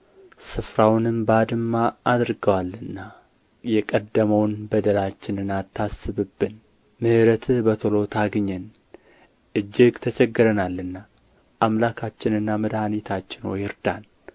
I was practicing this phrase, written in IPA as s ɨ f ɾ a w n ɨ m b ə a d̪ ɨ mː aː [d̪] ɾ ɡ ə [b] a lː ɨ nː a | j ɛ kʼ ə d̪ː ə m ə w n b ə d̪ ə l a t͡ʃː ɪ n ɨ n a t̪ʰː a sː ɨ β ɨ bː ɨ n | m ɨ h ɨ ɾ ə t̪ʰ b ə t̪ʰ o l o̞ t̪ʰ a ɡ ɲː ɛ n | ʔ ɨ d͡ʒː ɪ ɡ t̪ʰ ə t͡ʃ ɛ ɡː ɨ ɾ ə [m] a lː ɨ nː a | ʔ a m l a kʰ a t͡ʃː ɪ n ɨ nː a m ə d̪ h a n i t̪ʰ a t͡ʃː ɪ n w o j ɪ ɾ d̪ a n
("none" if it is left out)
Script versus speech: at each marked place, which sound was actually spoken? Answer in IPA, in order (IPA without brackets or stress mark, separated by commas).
d̪, w, n